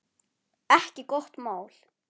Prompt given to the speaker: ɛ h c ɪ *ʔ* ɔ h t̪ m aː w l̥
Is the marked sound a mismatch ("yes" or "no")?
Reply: yes